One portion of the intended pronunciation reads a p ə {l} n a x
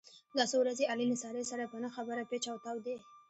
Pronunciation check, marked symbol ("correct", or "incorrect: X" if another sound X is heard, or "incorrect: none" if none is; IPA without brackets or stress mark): incorrect: none